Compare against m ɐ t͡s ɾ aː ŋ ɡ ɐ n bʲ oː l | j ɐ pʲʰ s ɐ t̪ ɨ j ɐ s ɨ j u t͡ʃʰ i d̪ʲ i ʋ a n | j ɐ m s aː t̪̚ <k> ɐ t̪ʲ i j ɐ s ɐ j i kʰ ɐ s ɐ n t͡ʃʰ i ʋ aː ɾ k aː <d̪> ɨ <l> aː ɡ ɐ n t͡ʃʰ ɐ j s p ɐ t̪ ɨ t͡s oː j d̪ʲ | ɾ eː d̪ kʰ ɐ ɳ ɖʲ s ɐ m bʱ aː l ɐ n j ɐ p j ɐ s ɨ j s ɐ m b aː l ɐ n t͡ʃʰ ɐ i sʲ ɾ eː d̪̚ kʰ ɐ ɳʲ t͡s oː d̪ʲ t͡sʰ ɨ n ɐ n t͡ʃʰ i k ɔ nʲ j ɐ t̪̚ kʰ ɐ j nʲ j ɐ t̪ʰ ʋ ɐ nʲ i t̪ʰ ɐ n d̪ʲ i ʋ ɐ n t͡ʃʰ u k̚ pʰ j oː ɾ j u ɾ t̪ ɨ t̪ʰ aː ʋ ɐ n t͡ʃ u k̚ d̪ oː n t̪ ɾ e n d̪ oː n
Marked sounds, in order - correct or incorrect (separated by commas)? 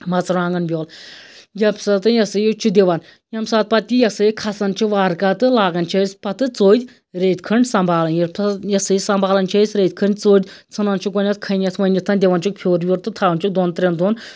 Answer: incorrect, incorrect, correct